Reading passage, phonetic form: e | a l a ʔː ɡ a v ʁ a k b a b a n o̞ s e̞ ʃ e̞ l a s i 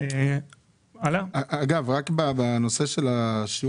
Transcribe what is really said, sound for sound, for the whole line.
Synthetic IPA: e | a l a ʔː ɡ a v ʁ a k b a b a n o̞ s e̞ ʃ e̞ l a ʃ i